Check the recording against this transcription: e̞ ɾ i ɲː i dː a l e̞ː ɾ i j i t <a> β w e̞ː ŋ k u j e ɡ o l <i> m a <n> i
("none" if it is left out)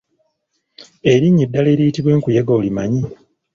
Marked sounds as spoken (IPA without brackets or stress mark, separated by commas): i, i, ɲ